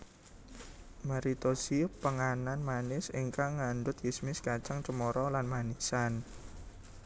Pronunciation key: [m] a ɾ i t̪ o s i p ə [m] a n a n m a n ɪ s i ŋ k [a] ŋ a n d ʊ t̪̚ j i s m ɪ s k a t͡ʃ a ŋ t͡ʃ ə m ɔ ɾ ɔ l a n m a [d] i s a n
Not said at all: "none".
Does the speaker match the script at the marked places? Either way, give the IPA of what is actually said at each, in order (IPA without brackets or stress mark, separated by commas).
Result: m, ŋ, a, n